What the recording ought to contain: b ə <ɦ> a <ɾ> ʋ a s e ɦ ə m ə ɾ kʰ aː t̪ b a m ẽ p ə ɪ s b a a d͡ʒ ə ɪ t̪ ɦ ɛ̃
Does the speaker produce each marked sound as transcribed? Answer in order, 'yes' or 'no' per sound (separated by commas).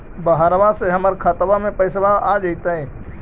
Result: yes, yes